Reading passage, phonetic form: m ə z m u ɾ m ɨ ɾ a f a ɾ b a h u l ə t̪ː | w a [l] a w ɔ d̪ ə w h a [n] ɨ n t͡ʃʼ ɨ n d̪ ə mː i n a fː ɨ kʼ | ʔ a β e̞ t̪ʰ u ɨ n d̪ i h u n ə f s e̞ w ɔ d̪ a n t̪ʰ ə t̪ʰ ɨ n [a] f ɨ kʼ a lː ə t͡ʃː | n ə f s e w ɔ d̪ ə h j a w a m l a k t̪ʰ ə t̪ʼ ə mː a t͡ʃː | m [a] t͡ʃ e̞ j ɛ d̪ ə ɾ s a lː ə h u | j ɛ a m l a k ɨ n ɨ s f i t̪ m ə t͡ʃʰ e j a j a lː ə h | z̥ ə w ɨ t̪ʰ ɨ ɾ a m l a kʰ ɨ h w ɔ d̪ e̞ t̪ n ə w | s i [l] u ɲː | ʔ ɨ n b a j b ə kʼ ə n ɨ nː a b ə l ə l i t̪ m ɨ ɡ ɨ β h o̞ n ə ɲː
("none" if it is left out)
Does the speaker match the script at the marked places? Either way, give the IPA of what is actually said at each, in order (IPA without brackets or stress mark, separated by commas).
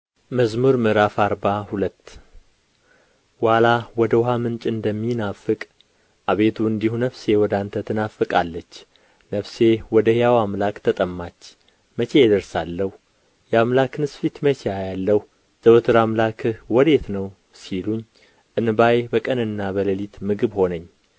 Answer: l, m, a, ə, l